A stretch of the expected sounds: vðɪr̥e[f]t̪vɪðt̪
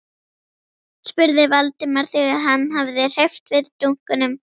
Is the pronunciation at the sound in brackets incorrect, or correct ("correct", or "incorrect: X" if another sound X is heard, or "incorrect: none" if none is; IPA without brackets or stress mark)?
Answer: correct